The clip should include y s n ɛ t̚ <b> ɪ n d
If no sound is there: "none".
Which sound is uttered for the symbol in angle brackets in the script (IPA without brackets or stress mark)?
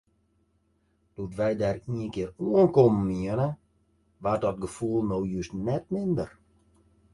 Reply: m